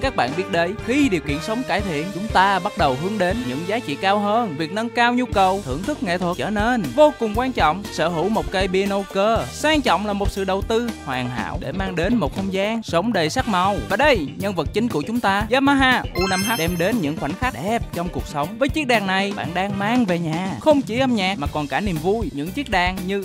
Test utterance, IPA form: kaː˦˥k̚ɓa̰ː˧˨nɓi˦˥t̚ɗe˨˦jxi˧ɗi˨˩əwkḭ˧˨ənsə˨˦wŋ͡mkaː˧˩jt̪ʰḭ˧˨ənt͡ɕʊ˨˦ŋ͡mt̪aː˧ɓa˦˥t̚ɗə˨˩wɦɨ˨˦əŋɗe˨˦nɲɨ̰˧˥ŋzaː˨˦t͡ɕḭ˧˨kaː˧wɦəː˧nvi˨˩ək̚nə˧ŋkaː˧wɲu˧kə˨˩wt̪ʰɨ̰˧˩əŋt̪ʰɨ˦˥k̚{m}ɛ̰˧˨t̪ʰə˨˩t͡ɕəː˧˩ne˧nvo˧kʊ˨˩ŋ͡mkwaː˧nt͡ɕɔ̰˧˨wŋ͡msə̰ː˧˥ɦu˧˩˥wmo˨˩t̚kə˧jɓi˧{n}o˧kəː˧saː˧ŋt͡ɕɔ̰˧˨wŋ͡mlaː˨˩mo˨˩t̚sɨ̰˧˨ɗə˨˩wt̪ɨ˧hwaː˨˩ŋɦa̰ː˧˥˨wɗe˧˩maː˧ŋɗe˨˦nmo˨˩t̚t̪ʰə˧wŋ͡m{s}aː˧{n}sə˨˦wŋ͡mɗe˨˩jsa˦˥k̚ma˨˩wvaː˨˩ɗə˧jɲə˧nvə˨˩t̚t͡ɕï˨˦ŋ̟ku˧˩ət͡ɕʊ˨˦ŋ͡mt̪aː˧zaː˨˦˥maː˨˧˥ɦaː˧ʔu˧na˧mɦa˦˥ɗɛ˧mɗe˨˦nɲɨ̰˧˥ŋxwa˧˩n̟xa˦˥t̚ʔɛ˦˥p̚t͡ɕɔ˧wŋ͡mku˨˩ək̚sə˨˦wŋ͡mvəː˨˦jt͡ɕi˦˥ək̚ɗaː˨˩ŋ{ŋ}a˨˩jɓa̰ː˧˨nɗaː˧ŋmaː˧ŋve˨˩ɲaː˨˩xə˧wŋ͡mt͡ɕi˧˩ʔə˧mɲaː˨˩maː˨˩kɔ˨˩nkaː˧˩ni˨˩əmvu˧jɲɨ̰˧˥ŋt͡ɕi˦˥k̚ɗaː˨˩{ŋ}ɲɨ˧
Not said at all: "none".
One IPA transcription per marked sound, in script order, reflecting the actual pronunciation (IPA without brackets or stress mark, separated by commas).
ŋ, n, z, ŋ, n, ŋ